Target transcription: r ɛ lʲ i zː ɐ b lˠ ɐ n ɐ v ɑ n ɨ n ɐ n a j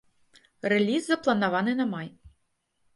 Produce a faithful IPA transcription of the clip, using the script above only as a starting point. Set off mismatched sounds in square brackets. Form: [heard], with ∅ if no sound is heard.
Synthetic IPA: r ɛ lʲ i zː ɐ [p] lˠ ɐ n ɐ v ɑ n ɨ n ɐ [m] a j